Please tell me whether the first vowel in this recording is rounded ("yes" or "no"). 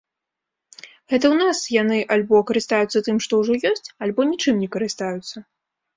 no